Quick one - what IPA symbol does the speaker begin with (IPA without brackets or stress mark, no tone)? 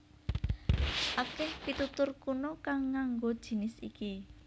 ʔ